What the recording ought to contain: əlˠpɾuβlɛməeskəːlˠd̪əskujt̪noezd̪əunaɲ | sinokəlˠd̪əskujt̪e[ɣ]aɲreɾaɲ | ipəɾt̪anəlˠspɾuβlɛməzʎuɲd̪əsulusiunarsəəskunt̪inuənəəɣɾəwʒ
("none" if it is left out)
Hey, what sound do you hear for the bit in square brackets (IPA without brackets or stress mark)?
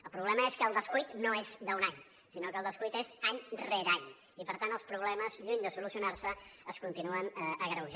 z